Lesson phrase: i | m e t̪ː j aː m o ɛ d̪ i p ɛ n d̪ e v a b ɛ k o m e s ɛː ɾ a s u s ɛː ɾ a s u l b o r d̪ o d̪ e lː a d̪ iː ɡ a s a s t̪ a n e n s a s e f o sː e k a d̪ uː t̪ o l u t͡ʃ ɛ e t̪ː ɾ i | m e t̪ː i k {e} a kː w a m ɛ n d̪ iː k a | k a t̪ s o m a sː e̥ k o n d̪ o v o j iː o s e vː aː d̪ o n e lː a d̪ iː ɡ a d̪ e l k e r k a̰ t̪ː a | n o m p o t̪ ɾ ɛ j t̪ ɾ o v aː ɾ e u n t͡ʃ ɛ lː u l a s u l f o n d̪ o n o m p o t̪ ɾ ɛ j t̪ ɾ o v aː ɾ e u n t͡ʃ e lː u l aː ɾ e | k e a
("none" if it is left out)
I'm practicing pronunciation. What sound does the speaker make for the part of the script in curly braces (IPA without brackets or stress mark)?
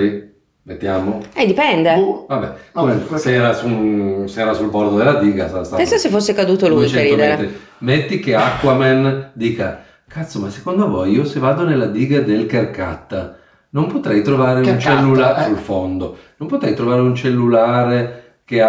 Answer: e